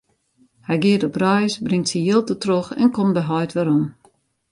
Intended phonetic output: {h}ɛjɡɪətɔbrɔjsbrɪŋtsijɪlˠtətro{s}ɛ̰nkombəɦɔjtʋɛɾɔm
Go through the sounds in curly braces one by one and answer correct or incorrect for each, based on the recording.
correct, incorrect: x

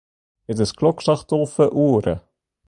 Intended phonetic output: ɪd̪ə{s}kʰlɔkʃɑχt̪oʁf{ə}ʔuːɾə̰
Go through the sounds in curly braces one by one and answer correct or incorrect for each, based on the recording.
correct, correct

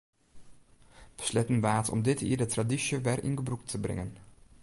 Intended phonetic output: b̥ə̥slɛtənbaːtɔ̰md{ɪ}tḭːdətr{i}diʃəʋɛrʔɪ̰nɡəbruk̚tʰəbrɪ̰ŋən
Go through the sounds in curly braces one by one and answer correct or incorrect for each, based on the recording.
correct, incorrect: a

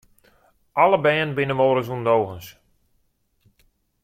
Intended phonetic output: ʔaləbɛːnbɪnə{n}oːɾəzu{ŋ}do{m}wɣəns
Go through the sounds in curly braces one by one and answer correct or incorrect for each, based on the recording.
incorrect: m, incorrect: n, incorrect: none

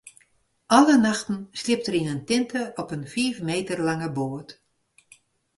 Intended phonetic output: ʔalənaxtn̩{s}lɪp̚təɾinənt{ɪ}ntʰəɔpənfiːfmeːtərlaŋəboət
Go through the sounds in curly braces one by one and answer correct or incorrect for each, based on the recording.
correct, correct

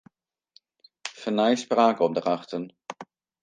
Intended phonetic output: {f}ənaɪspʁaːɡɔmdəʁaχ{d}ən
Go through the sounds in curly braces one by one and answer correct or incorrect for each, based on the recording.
correct, incorrect: t

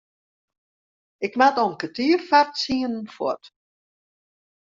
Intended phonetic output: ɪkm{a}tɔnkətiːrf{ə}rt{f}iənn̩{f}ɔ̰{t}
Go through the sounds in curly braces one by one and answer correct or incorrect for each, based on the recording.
correct, incorrect: a, incorrect: s, correct, correct

